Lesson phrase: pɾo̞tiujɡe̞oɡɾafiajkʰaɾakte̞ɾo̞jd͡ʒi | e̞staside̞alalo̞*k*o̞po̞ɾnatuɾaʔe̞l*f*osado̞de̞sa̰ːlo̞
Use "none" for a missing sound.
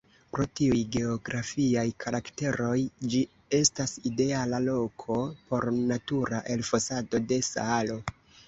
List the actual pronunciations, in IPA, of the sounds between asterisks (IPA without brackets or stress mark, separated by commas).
kʰ, f